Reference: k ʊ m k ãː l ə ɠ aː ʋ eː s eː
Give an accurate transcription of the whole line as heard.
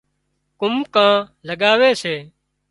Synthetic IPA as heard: k ʊ m k ãː l ə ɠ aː ʋ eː s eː